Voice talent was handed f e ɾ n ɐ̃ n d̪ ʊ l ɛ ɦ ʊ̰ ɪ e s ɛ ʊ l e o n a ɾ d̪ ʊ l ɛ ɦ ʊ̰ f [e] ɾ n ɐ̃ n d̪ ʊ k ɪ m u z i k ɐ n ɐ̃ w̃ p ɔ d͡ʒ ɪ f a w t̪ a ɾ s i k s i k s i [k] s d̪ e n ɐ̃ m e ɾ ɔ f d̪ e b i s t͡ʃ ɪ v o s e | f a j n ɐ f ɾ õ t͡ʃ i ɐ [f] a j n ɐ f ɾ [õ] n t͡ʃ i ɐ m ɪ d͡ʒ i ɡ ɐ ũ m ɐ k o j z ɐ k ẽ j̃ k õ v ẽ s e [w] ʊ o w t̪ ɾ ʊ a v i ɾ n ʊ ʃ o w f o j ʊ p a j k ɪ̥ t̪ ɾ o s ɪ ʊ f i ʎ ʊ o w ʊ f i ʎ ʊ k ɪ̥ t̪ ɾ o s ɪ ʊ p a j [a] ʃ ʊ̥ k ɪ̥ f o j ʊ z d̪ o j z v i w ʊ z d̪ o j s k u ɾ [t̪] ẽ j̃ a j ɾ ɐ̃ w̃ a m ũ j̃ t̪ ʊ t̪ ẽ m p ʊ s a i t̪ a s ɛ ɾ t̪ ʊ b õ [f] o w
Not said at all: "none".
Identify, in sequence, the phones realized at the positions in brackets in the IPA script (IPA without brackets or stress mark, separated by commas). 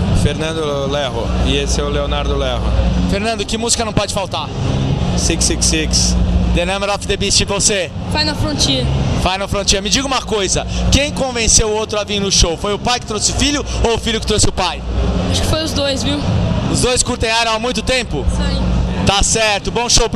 e, k, f, õ, w, a, t̪, ʃ